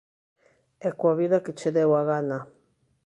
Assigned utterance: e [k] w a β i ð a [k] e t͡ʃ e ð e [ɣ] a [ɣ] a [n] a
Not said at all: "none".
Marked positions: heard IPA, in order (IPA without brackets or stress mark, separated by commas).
k, k, w, ɣ, n